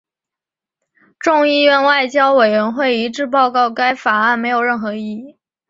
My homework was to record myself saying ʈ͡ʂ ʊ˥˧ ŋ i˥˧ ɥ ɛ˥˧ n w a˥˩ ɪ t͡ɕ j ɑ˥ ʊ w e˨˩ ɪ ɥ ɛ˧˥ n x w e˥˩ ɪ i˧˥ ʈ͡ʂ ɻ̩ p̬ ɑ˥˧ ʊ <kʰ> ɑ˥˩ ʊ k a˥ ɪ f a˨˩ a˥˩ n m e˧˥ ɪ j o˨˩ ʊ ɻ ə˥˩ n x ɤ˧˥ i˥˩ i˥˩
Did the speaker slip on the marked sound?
yes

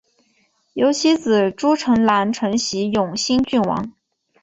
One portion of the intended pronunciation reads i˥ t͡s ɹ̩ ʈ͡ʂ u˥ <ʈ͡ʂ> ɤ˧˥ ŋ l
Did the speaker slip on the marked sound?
yes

